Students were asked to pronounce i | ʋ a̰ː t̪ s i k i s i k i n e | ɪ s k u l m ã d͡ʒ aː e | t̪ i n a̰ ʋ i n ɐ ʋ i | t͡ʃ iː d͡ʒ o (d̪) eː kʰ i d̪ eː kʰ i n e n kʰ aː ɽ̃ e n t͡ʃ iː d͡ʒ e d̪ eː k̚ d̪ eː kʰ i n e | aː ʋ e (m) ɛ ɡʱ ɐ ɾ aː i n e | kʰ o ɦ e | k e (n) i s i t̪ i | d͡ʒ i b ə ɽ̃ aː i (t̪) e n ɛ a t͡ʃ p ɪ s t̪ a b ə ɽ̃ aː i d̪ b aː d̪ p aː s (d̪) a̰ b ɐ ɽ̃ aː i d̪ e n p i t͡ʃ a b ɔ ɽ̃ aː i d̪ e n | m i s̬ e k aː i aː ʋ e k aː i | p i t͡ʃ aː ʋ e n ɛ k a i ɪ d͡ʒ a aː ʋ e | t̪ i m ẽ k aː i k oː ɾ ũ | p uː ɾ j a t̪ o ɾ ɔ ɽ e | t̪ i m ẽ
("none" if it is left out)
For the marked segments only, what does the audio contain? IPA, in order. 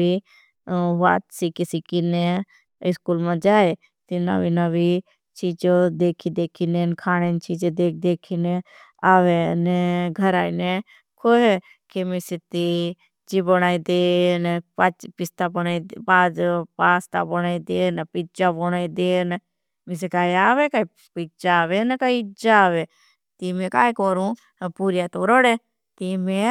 d̪, n, m, d̪, t̪

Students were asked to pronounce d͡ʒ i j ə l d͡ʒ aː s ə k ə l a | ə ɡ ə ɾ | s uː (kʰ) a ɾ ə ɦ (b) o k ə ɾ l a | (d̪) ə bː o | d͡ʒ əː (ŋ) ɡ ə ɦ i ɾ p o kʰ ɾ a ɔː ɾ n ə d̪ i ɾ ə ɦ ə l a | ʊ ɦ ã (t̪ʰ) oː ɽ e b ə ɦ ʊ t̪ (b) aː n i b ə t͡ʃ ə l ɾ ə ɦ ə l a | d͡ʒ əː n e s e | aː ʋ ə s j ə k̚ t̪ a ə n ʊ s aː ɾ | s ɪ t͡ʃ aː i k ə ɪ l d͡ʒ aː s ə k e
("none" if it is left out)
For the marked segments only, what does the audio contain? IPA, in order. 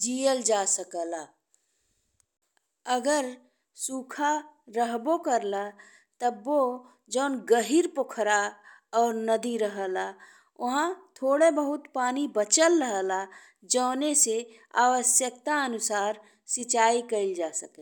kʰ, b, t̪, n, t̪ʰ, p

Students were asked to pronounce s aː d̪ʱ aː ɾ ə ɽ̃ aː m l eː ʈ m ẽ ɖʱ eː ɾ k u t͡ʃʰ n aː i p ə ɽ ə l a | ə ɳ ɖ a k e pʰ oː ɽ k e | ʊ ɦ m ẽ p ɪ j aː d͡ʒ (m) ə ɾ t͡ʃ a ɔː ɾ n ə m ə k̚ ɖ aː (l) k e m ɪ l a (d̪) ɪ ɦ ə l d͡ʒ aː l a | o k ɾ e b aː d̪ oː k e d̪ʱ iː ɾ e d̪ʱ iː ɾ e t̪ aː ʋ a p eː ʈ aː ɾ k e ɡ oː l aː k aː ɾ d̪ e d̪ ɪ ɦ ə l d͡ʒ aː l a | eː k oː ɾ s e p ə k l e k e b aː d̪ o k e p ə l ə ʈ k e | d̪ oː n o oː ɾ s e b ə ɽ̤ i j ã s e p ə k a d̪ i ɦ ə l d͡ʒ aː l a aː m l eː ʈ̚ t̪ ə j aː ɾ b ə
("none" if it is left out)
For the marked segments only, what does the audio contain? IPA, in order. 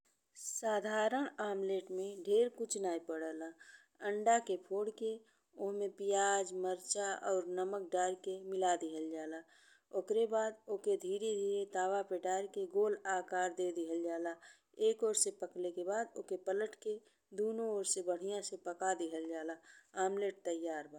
m, ɾ, d̪

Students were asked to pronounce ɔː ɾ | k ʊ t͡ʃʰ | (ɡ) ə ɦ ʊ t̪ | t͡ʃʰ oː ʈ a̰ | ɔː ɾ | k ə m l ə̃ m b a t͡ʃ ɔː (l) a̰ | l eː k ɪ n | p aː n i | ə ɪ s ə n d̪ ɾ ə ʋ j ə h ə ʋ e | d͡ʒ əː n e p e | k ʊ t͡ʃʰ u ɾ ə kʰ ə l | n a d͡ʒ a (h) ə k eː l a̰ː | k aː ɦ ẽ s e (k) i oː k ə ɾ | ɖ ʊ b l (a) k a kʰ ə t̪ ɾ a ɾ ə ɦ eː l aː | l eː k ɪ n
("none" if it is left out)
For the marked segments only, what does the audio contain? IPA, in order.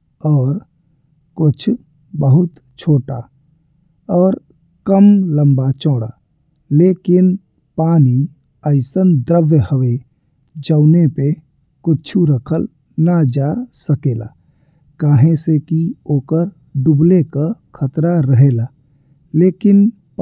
b, ɽ, s, k, e

